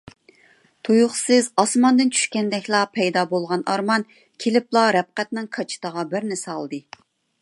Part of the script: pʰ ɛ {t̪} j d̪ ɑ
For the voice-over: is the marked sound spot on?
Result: no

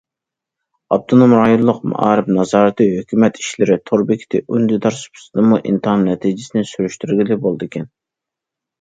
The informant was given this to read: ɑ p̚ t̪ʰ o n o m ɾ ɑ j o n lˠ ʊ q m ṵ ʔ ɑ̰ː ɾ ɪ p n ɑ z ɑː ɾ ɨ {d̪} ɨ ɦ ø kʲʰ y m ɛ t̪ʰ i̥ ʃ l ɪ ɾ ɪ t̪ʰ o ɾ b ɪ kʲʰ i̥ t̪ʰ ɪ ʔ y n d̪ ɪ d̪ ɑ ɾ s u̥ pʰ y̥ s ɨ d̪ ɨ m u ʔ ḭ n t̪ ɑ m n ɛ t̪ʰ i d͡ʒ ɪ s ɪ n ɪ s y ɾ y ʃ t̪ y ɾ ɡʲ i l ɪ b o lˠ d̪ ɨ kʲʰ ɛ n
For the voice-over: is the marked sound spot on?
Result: no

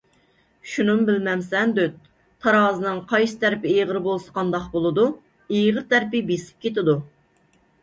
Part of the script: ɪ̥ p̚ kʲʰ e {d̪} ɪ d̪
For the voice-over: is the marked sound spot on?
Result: no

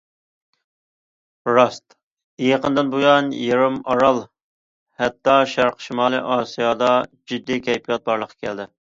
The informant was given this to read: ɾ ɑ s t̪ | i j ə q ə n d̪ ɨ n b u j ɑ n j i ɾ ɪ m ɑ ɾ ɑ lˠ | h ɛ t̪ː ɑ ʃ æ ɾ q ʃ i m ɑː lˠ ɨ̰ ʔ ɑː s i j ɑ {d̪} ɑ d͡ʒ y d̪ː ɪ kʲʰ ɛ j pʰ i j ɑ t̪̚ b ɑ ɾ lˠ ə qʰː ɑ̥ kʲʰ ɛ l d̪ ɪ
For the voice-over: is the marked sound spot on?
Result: yes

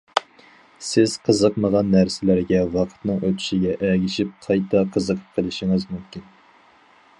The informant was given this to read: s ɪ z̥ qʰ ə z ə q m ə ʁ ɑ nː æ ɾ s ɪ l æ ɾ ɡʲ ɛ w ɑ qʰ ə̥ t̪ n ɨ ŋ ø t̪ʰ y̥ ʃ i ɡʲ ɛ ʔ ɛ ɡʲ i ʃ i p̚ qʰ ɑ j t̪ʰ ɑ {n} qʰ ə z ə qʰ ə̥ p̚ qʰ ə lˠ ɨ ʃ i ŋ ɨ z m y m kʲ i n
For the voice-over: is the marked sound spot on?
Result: no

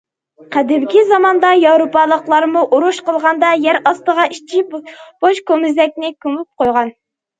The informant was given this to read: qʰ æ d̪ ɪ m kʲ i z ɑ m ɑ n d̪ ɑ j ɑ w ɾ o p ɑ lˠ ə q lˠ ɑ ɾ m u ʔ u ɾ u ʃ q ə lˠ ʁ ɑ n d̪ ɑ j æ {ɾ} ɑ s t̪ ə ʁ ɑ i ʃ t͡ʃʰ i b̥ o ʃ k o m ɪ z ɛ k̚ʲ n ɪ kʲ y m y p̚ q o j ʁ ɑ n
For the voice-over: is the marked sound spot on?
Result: yes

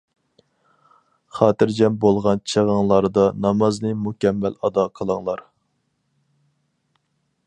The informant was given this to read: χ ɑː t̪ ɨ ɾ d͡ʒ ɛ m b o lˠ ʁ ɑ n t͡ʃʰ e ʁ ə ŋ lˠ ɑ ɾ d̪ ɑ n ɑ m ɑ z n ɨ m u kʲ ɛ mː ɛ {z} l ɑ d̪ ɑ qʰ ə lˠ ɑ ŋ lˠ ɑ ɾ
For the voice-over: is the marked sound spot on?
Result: no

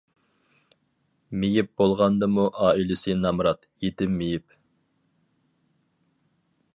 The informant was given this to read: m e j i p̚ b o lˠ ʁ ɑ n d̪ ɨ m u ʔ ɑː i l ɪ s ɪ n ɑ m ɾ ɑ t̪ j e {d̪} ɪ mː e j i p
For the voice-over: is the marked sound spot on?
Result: no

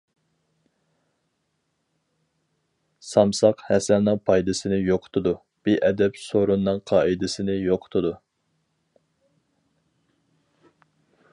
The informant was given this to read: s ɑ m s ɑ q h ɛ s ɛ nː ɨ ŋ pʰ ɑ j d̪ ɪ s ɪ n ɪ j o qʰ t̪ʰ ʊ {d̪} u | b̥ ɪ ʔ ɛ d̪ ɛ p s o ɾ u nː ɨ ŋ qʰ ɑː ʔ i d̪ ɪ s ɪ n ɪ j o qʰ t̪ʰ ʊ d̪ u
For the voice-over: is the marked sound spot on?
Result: yes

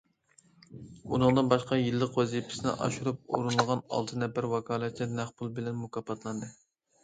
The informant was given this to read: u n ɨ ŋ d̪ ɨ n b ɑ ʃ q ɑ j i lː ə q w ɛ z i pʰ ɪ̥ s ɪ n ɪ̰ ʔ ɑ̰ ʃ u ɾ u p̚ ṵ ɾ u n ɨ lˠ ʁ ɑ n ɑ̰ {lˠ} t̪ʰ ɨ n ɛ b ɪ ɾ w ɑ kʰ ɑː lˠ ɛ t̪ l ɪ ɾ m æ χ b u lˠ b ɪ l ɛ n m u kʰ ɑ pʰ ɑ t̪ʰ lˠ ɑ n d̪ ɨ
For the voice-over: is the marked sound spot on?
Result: yes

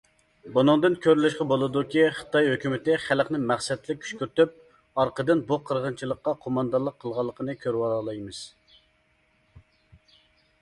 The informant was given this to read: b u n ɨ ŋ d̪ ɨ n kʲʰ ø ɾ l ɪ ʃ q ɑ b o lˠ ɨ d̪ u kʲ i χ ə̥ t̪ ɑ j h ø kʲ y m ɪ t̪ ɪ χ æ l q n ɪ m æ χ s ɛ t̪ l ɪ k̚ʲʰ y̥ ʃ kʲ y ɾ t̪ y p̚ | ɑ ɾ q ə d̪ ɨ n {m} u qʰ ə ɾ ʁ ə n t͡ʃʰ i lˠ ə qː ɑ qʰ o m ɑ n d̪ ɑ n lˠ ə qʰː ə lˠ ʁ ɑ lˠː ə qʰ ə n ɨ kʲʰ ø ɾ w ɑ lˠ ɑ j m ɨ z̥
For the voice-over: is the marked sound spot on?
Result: no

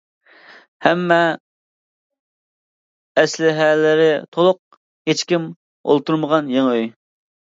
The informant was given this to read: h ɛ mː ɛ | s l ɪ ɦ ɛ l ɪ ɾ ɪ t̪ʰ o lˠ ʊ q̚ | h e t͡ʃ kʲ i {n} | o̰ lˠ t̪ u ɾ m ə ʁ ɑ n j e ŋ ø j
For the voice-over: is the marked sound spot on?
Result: no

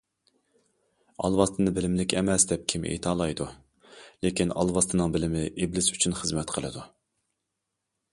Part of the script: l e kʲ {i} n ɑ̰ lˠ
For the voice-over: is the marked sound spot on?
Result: yes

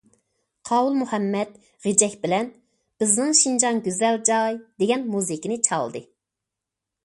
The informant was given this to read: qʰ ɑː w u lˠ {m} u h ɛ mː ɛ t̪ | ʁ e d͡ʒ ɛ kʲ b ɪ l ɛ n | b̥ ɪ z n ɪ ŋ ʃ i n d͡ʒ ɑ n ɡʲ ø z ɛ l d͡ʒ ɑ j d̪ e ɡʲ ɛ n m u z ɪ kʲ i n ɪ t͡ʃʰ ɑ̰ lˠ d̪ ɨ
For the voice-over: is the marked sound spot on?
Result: yes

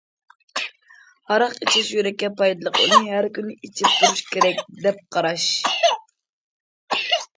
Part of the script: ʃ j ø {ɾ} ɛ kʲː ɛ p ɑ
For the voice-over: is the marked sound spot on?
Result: yes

